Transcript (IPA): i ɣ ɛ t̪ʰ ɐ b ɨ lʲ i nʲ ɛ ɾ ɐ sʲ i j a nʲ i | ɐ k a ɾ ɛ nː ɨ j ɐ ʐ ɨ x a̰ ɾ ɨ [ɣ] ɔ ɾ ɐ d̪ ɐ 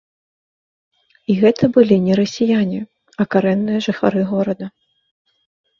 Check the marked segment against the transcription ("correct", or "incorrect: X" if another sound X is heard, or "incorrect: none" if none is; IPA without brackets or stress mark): correct